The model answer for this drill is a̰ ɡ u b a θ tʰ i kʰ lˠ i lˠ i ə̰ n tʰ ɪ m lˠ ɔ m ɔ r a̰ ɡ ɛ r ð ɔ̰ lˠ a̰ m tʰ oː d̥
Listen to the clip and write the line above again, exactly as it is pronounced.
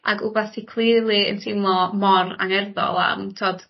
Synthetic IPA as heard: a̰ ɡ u b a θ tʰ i kʰ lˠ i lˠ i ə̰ n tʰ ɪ m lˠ ɔ m ɔ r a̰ ŋ ɛ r ð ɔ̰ lˠ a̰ m tʰ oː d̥